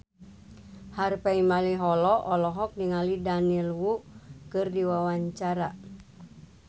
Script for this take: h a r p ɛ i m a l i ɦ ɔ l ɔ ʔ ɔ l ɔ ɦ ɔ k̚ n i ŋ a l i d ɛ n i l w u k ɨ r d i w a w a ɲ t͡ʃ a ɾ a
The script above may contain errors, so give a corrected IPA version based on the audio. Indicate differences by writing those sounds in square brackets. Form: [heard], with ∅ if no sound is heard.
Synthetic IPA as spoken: h a r p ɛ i m a l i ɦ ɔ l ɔ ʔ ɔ l ɔ ɦ ɔ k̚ n i ŋ a l i d [a] n i l w u k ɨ r d i w a w a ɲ t͡ʃ a ɾ a